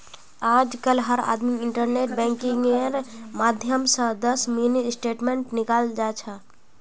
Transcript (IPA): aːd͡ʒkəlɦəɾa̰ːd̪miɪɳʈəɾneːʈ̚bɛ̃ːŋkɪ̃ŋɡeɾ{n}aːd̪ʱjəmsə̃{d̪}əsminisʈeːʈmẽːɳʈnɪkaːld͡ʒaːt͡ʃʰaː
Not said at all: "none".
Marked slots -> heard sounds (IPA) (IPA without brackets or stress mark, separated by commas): m, d̪